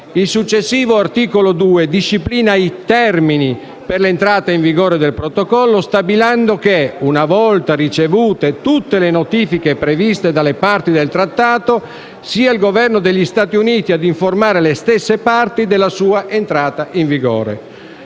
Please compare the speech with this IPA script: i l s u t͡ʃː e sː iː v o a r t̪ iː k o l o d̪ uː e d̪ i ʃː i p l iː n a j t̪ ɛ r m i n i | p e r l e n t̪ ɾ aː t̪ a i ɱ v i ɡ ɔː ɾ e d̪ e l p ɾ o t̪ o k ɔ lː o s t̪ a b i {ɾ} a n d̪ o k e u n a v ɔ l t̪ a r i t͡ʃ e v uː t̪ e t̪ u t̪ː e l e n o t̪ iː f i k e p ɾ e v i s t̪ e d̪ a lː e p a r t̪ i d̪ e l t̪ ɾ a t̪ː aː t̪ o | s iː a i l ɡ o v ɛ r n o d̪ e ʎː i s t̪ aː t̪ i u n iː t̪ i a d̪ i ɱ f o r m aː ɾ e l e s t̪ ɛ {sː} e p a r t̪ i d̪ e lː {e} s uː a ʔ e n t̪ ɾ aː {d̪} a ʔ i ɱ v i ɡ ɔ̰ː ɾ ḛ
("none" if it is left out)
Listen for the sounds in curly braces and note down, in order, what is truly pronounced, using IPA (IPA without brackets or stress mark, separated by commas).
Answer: l, sː, a, t̪